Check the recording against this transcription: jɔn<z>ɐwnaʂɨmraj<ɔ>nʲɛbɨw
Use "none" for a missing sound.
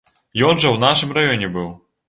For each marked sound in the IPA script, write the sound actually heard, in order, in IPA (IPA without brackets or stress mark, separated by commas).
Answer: ʐ, ɔ